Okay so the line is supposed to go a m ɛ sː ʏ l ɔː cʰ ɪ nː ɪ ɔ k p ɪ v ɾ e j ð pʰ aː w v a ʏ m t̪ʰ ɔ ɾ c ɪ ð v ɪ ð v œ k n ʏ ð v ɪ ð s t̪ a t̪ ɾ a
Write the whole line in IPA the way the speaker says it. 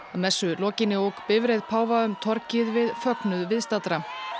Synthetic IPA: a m ɛ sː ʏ l ɔː c ɪ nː ɪ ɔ k p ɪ v ɾ e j ð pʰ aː w v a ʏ m t̪ʰ ɔ ɾ c ɪ ð v ɪ ð f œ k n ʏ ð v ɪ ð s t̪ a t̪ ɾ a